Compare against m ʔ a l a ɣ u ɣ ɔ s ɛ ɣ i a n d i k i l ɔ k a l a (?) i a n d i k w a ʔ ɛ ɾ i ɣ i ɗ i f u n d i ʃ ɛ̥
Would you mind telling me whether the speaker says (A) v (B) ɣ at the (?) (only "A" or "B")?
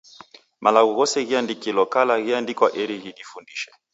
B